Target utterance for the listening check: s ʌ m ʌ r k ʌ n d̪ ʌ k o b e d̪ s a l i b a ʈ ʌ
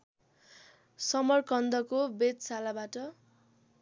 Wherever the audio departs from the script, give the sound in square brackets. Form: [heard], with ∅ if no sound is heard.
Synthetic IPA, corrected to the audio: s ʌ m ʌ r k ʌ n d̪ ʌ k o b e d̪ s a l [a] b a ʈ ʌ